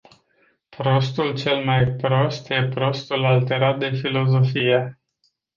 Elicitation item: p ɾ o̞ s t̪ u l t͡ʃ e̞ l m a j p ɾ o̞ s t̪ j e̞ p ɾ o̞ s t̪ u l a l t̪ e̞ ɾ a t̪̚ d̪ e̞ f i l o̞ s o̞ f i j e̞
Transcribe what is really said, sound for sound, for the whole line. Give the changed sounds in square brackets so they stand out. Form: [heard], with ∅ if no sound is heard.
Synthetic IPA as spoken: p ɾ o̞ s t̪ u l t͡ʃ e̞ l m a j p ɾ o̞ s t̪ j e̞ p ɾ o̞ s t̪ u l a l t̪ e̞ ɾ a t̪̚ d̪ e̞ f i l o̞ [z] o̞ f i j e̞